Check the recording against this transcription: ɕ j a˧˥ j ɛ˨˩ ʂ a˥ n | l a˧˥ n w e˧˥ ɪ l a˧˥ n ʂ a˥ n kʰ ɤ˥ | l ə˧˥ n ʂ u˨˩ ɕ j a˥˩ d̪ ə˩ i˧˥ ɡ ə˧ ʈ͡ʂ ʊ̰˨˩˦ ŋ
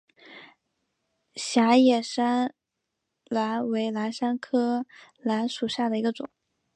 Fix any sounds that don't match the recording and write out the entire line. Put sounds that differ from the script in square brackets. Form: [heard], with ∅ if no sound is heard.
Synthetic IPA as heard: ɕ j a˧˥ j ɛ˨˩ ʂ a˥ n | l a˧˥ n w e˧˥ ɪ l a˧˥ n ʂ a˥ n kʰ ɤ˥ | l [a˧˥] n ʂ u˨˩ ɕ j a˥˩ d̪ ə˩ i˧˥ ɡ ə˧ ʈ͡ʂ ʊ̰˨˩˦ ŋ